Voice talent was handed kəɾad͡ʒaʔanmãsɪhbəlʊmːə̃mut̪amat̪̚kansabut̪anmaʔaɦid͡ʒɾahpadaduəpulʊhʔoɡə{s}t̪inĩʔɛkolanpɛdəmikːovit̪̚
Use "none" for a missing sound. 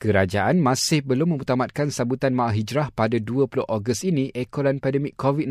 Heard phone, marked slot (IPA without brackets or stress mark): s